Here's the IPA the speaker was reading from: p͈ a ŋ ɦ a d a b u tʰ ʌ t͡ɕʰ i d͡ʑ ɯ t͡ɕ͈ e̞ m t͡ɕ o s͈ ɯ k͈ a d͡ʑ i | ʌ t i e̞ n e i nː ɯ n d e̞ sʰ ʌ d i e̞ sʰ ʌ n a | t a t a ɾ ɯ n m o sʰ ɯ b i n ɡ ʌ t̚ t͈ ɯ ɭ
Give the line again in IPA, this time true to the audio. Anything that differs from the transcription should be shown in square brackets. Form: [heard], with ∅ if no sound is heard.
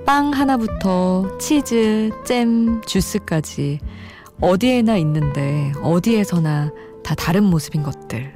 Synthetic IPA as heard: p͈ a ŋ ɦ a [n] a b u tʰ ʌ t͡ɕʰ i d͡ʑ ɯ t͡ɕ͈ e̞ m t͡ɕ [u] s͈ ɯ k͈ a d͡ʑ i | ʌ [d] i e̞ n [a] i nː ɯ n d e̞ [∅] ʌ d i e̞ sʰ ʌ n a | t a t a ɾ ɯ n m o sʰ ɯ b i n ɡ ʌ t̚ t͈ ɯ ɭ